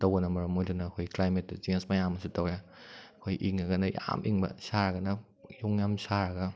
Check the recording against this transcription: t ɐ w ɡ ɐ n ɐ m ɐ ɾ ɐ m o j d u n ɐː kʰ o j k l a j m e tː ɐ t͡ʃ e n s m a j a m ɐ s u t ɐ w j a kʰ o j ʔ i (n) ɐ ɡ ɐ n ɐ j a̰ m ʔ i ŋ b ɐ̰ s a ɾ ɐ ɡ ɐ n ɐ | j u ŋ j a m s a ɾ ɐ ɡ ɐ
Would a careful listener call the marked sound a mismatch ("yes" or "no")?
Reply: yes